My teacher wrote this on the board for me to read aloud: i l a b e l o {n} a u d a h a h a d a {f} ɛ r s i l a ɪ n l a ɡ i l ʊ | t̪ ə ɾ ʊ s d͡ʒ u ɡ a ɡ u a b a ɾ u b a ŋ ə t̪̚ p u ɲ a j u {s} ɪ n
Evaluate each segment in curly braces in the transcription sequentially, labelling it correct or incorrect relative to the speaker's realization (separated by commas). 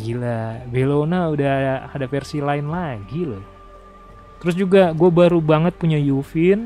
correct, correct, incorrect